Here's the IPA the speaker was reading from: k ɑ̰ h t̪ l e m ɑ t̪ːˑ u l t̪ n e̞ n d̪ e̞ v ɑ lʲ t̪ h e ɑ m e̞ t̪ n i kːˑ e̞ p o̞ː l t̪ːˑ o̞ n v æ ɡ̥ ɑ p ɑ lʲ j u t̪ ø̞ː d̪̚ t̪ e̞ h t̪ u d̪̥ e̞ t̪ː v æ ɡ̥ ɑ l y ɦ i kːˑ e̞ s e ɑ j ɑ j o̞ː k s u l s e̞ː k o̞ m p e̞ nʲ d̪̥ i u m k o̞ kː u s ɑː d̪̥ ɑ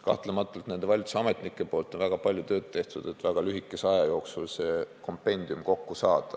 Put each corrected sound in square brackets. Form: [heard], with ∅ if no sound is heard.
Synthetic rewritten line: k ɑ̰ h t̪ l e m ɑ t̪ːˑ u l t̪ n e̞ n d̪ e̞ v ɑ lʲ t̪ [s] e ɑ m e̞ t̪ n i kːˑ e̞ p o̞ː l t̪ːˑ o̞ n v æ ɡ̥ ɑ p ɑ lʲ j u t̪ ø̞ː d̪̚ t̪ e̞ h t̪ u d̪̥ e̞ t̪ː v æ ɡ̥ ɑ l y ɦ i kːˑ e̞ s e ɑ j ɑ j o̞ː k s u l s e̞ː k o̞ m p e̞ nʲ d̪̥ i u m k o̞ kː u s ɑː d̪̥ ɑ

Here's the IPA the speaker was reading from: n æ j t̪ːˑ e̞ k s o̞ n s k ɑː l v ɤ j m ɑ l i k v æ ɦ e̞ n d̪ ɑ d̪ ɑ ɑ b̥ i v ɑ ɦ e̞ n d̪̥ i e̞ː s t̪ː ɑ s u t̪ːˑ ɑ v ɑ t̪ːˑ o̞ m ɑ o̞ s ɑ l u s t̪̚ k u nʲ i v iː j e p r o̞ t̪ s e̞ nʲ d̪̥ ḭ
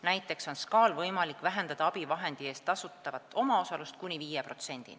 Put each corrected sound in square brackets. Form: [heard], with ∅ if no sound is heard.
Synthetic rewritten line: n æ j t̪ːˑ e̞ k s o̞ n s k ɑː l v ɤ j m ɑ l i k v æ ɦ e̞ n d̪ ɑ d̪ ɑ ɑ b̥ i v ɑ ɦ e̞ n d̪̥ i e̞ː s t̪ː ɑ s u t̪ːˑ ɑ v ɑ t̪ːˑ o̞ m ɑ o̞ s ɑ l u s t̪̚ k u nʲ i v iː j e p r o̞ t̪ s e̞ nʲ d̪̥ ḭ

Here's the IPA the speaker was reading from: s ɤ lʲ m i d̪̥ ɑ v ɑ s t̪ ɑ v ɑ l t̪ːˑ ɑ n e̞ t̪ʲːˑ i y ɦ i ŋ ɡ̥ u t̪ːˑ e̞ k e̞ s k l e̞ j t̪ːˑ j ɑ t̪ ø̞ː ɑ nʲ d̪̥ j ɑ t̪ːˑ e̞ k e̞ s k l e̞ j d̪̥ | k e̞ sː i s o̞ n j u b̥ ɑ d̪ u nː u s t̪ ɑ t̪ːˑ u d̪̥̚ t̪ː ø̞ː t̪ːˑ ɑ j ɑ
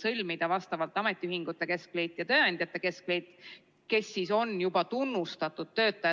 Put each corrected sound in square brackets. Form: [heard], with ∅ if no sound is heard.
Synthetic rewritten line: s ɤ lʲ m i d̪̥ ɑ v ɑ s t̪ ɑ v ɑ l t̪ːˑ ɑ [m] e̞ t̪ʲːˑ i y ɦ i ŋ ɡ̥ u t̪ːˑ e̞ k e̞ s k l e̞ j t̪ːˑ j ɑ t̪ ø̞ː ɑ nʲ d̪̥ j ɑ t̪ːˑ e̞ k e̞ s k l e̞ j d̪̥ | k e̞ sː i s o̞ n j u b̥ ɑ [t̪] u nː u s t̪ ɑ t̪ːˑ u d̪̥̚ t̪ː ø̞ː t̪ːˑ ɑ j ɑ

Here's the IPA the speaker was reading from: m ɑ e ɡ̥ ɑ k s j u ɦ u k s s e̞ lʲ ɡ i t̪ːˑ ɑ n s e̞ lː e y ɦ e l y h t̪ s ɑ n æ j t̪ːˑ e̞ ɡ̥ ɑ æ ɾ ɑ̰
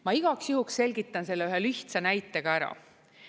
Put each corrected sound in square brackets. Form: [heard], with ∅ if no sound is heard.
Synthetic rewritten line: m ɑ [i] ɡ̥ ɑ k s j u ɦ u k s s e̞ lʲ ɡ i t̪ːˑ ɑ n s e̞ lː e y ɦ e l y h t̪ s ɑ n æ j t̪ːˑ e̞ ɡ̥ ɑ æ ɾ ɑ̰

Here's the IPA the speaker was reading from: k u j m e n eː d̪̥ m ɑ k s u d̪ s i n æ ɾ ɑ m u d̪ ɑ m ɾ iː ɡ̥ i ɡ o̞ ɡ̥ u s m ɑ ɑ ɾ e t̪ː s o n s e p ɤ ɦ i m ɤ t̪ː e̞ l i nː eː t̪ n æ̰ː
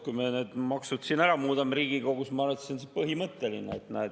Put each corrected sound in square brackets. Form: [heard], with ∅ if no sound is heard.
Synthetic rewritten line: k u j m e n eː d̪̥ m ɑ k s u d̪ s i n æ ɾ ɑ m [uː] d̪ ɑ m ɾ iː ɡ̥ i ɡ o̞ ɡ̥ u s m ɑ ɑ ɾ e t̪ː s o n s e p ɤ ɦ i m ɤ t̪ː e̞ l i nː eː t̪ n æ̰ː

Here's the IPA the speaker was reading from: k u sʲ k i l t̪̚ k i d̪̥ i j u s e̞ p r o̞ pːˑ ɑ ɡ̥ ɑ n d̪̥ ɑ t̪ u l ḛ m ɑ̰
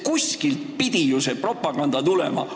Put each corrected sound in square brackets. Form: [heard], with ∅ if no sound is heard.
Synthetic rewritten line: k u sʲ k i l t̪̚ [p] i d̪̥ i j u s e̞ p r o̞ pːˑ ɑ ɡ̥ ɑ n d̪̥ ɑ t̪ u l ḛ m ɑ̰

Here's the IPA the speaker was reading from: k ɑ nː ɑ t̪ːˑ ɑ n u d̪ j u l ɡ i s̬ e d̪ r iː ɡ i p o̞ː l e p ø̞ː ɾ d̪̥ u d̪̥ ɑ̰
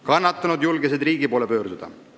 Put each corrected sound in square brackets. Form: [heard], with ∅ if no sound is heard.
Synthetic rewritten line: k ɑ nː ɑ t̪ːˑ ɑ n u d̪ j u l ɡ [e] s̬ e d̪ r iː ɡ i p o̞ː l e p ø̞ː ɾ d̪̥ u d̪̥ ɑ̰

